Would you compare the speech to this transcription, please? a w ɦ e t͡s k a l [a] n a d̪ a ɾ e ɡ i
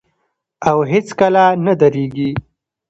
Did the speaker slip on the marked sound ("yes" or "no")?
no